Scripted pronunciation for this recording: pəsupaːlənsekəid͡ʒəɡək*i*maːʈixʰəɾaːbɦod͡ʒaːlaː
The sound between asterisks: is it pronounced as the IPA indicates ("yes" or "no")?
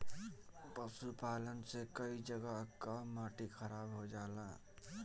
no